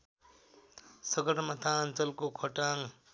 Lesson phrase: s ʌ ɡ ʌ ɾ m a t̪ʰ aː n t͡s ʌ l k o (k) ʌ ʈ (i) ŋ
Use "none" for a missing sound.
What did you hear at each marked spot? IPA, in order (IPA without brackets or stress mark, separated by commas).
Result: kʰ, a